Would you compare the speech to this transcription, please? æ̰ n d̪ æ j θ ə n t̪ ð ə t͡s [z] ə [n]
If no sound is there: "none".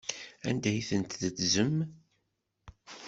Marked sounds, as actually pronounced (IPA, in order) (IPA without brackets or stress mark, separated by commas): z, m